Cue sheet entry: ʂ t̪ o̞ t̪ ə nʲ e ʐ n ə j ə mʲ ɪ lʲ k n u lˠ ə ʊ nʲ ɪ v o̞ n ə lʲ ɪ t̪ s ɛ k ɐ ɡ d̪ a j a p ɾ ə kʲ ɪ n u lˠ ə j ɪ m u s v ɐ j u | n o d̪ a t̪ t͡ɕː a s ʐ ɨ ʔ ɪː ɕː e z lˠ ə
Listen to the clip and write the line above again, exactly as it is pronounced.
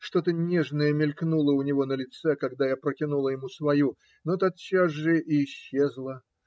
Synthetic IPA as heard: ʂ t̪ o̞ t̪ ə nʲ e ʐ n ə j ə mʲ ɪ lʲ k n u lˠ ə ʊ nʲ ɪ v o̞ n ə lʲ ɪ t̪ s ɛ k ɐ ɡ d̪ a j a p ɾ ə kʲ ɪ n u lˠ ə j ɪ m u s v ɐ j u | n o t̪ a t̪ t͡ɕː a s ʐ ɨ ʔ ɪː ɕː e z lˠ ə